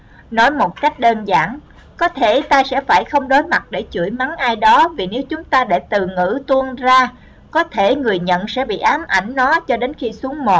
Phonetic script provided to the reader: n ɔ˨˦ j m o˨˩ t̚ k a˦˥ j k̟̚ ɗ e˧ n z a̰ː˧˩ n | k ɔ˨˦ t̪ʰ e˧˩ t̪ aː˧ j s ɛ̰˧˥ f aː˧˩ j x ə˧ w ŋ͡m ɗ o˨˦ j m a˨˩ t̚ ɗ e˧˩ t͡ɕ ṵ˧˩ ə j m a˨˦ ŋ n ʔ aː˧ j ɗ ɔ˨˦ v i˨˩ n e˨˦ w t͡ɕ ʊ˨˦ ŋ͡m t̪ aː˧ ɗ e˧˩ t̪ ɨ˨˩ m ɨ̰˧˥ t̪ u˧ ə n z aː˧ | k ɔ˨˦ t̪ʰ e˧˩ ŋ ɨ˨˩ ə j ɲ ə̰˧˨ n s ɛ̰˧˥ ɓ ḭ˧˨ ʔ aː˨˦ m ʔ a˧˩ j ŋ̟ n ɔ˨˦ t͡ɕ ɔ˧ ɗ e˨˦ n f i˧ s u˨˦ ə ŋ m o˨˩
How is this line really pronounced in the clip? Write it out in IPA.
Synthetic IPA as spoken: n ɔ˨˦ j m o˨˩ t̚ k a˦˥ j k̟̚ ɗ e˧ n z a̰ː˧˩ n | k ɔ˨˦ t̪ʰ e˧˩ t̪ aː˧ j s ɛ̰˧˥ f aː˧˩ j x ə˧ w ŋ͡m ɗ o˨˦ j m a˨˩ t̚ ɗ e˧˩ t͡ɕ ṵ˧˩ ə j m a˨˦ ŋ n ʔ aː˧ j ɗ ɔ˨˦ v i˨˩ n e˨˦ w t͡ɕ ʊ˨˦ ŋ͡m t̪ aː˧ ɗ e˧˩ t̪ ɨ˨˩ ŋ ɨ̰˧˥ t̪ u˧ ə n z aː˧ | k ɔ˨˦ t̪ʰ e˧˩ ŋ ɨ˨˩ ə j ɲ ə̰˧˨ n s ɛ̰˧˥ ɓ ḭ˧˨ ʔ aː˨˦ m ʔ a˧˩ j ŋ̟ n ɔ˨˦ t͡ɕ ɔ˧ ɗ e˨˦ n x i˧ s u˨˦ ə ŋ m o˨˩

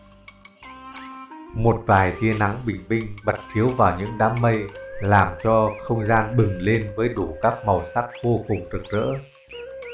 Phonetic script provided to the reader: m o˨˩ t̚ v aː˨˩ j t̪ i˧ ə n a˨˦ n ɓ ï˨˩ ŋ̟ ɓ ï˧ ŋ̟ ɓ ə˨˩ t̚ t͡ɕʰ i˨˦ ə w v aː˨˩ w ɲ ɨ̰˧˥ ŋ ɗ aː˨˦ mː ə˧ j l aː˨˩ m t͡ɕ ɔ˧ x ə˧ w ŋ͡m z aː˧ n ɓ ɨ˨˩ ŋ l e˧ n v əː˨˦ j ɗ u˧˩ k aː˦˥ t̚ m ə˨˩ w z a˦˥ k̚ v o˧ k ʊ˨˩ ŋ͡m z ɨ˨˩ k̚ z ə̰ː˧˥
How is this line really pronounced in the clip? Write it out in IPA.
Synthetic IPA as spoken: m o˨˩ t̚ v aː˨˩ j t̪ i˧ ə n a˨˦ ŋ ɓ ï˨˩ ŋ̟ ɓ ï˧ ŋ̟ ɓ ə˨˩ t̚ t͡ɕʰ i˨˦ ə w v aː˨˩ w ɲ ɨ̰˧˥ ŋ ɗ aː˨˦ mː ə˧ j l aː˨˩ m t͡ɕ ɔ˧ x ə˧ w ŋ͡m z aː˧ n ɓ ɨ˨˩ ŋ l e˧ n v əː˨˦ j ɗ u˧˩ k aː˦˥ k̚ m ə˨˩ w s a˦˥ k̚ v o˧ k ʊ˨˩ ŋ͡m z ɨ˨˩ k̚ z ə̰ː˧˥

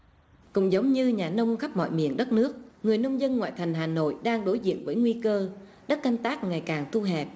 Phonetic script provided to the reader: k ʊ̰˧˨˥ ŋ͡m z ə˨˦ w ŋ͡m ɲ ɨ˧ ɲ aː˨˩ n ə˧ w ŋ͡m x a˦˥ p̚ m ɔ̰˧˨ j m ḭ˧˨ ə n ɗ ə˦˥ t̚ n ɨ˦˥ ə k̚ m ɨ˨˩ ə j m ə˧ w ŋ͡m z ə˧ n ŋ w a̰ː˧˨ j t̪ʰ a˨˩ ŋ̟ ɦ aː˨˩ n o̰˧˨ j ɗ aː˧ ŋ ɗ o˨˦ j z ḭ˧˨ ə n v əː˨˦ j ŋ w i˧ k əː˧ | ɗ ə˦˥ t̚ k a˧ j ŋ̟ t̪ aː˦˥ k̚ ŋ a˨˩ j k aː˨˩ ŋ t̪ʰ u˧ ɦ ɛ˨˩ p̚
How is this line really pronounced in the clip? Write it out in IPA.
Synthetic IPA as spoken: k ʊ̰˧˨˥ ŋ͡m z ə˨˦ w ŋ͡m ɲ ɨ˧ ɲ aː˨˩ n ə˧ w ŋ͡m x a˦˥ p̚ m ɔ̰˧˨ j m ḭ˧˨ ə n ɗ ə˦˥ t̚ n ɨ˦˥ ə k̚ ŋ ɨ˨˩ ə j n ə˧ w ŋ͡m z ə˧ n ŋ w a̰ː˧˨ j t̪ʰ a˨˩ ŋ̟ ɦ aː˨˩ n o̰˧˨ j ɗ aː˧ ŋ ɗ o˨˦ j z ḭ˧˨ ə n v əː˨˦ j ŋ w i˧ k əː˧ | ɗ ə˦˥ t̚ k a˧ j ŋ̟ t̪ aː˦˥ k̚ ŋ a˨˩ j k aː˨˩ ŋ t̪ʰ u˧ ɦ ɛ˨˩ p̚

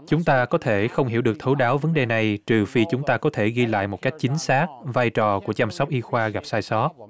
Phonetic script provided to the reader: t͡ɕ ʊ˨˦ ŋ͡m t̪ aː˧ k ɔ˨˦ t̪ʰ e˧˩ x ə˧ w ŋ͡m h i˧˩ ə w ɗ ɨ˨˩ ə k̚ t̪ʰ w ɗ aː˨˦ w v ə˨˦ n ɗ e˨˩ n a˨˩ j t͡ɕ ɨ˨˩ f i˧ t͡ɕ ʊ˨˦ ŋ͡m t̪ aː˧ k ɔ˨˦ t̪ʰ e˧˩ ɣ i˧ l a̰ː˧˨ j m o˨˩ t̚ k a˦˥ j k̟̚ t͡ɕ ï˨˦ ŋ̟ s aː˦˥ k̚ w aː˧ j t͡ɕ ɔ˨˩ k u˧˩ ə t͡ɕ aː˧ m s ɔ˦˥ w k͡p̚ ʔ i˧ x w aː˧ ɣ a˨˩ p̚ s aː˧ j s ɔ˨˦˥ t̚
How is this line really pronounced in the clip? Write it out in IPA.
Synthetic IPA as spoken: t͡ɕ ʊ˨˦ ŋ͡m t̪ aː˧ k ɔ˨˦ t̪ʰ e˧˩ x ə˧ w ŋ͡m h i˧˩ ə w ɗ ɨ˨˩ ə k̚ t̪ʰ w ɗ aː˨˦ w v ə˨˦ n ɗ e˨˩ n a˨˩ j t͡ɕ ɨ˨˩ f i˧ t͡ɕ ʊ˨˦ ŋ͡m t̪ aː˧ k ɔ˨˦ t̪ʰ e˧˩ ɣ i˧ l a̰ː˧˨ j m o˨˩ t̚ k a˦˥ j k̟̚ t͡ɕ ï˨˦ ŋ̟ s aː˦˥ k̚ v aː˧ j t͡ɕ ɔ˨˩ k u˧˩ ə t͡ɕ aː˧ m s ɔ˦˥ w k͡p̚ ʔ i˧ x w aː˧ ɣ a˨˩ p̚ s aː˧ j s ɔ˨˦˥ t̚

